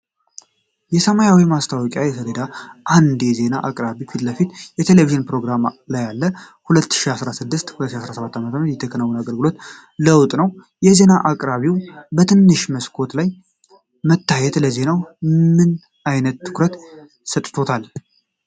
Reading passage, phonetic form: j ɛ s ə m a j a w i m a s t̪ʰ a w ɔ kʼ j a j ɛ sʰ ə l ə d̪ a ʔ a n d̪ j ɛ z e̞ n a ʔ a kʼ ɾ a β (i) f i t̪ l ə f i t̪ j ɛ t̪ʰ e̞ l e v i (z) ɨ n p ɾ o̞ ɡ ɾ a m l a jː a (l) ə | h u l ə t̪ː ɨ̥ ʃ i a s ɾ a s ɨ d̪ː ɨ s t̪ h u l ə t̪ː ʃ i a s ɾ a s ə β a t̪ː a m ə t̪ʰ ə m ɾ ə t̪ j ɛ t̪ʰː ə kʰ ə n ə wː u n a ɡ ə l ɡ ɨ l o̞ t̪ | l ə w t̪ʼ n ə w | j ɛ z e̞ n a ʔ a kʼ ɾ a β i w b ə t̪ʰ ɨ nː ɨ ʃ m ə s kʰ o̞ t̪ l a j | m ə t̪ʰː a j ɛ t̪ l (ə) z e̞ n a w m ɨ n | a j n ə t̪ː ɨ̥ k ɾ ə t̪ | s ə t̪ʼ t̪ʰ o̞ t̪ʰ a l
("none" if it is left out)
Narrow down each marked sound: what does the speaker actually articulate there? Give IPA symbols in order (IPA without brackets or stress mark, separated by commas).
i, ʒ, lː, ə